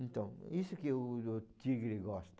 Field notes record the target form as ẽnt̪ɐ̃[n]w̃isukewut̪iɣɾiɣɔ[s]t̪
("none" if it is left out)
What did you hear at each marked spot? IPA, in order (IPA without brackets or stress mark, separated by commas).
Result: none, ʃ